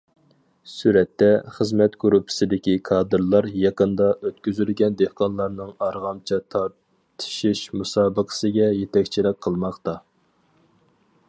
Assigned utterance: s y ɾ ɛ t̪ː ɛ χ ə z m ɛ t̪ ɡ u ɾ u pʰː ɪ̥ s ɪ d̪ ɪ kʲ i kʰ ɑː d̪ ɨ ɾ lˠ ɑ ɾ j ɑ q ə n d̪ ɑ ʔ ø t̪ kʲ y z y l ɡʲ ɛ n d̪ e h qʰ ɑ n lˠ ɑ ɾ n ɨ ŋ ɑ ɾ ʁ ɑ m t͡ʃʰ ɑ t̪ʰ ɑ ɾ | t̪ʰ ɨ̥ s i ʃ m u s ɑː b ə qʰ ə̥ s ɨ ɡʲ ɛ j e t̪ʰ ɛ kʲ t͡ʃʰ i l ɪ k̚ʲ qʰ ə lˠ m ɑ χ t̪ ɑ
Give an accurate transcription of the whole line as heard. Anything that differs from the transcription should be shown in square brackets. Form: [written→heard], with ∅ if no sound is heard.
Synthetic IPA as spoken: s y ɾ ɛ t̪ː ɛ χ ə z m ɛ t̪ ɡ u ɾ u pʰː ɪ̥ s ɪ d̪ ɪ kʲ i kʰ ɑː d̪ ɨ ɾ lˠ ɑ ɾ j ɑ q ə n d̪ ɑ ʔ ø t̪ kʲ y z y l ɡʲ ɛ n d̪ e h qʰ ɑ n lˠ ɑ ɾ n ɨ ŋ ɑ ɾ ʁ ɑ m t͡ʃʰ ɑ t̪ʰ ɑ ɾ | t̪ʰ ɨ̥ [s→ʃ] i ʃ m u s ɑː b ə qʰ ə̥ s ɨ ɡʲ ɛ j e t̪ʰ ɛ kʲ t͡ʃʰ i l ɪ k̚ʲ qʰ ə lˠ m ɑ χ t̪ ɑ